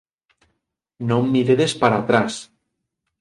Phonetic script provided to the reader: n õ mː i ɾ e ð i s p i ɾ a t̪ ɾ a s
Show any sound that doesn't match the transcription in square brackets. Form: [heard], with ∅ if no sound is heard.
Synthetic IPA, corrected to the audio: n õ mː i ɾ e ð [e] s p [a] ɾ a t̪ ɾ a s